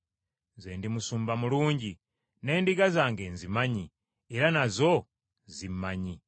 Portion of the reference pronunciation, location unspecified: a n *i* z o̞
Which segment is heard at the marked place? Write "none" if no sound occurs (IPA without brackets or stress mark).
a